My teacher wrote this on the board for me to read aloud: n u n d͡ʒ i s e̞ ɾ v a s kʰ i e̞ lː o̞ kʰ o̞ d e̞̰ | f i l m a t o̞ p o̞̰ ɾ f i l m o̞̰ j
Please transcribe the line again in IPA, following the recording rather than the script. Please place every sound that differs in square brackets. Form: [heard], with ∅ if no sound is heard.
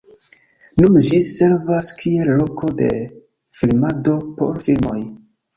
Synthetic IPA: n u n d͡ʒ i s e̞ ɾ v a s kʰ i e̞ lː o̞ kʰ o̞ d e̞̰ | f i l m a [d] o̞ p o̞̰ ɾ f i l m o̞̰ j